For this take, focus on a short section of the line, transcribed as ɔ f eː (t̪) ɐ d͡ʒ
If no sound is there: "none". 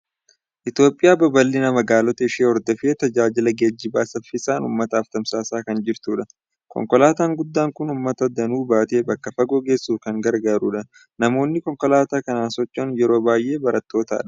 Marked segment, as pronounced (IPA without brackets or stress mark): t̪